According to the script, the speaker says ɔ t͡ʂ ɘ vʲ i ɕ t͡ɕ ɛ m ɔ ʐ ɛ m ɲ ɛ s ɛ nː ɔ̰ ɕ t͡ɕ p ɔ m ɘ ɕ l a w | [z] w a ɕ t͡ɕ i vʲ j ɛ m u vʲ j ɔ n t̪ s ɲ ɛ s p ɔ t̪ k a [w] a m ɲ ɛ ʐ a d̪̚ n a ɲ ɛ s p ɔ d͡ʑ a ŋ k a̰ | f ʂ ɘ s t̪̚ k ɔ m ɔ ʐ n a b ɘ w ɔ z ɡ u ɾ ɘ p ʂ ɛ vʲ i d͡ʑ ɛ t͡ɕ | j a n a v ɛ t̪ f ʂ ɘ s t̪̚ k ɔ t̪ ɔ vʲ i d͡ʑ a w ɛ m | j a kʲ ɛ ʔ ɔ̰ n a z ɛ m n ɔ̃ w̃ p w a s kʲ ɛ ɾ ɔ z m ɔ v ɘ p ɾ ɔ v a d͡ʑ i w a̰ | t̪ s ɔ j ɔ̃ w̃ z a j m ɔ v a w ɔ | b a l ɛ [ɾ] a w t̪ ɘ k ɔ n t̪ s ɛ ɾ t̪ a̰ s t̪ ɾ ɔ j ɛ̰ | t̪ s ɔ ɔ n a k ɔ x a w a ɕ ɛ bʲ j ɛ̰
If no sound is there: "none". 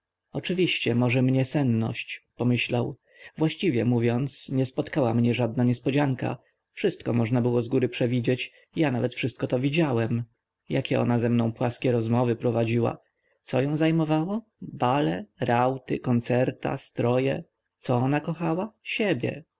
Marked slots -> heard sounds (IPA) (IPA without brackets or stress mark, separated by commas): v, w, ɾ